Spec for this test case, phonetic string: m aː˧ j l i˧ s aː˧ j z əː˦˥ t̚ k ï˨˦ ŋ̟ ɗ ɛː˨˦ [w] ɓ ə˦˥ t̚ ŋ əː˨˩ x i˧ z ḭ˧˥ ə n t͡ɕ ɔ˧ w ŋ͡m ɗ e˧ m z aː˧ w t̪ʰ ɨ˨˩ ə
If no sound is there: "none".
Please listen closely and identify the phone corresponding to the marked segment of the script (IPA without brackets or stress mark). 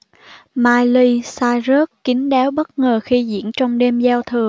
w